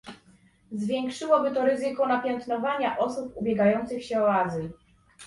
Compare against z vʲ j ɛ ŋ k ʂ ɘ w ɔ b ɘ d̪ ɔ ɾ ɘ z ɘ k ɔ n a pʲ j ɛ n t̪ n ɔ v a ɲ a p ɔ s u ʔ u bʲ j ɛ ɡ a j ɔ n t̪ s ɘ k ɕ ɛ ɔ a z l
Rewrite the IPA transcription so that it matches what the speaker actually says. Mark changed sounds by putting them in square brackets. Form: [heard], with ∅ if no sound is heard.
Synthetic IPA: z vʲ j ɛ ŋ k ʂ ɘ w ɔ b ɘ [t̪] ɔ ɾ ɘ z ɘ k ɔ n a pʲ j ɛ n t̪ n ɔ v a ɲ a [ʔ] ɔ s u [p] u bʲ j ɛ ɡ a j ɔ n t̪ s ɘ [x] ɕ ɛ ɔ a z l